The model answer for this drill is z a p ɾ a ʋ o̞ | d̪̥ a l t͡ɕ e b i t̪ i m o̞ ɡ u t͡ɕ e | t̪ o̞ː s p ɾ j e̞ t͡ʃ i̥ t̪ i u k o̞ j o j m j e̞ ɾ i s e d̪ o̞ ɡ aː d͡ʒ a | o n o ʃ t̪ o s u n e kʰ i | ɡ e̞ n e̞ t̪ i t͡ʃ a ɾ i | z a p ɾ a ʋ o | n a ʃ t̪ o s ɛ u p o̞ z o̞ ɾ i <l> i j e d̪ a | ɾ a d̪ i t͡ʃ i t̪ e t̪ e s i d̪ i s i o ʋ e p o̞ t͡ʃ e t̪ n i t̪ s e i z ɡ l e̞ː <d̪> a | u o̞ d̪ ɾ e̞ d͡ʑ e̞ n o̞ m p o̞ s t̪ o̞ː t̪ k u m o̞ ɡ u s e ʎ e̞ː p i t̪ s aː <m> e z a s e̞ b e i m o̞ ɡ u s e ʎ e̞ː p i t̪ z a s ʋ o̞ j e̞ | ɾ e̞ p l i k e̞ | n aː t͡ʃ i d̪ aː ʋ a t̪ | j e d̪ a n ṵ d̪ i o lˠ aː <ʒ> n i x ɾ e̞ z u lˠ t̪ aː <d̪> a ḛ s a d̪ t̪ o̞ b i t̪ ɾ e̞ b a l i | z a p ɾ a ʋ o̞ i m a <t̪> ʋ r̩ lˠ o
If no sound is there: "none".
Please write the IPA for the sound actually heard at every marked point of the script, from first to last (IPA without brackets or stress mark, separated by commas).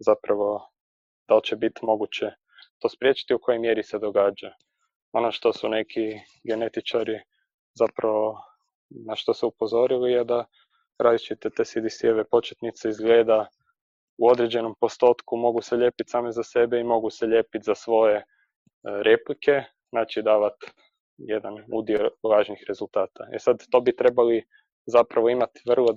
l, d̪, m, ʒ, t̪, t̪